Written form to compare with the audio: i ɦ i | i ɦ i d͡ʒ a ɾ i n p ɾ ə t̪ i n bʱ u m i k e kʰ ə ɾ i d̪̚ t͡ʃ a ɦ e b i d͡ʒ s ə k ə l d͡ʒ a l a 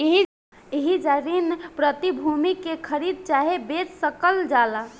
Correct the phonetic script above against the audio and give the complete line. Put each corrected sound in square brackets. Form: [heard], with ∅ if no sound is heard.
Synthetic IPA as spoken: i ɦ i | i ɦ i d͡ʒ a ɾ i n p ɾ ə t̪ i [∅] bʱ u m i k e kʰ ə ɾ i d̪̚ t͡ʃ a ɦ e b [e] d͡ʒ s ə k ə l d͡ʒ a l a